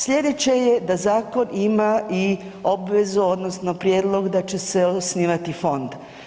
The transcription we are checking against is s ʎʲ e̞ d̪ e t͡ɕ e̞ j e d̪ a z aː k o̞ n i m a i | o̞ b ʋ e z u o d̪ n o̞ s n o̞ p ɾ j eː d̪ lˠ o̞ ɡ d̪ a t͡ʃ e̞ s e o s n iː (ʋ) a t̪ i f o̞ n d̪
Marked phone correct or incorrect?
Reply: correct